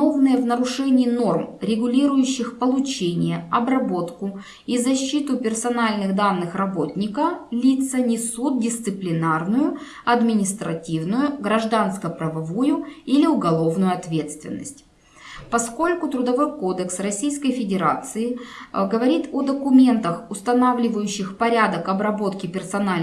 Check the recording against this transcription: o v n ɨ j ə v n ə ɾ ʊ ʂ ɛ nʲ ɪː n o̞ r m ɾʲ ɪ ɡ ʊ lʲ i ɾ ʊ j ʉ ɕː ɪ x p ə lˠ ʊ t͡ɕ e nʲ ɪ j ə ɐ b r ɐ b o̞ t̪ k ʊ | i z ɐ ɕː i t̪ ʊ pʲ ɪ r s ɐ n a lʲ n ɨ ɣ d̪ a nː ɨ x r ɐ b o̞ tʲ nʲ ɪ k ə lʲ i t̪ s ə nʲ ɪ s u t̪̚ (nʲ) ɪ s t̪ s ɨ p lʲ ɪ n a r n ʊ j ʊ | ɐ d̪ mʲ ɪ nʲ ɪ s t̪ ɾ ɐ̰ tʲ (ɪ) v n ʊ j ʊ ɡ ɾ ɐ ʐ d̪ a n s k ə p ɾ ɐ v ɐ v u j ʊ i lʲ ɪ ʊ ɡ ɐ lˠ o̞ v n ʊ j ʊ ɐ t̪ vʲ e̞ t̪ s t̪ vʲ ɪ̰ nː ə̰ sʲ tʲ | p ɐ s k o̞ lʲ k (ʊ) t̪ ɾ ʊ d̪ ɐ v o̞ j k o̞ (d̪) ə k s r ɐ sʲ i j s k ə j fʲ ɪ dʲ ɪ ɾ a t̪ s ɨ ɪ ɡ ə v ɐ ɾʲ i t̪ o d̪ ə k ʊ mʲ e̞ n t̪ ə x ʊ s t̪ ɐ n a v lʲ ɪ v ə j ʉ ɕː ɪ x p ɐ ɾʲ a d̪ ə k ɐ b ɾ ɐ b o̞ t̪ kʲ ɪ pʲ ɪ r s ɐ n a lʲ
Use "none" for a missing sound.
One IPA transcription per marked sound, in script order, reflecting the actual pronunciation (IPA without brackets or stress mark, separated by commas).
dʲ, i, ʊ, d̪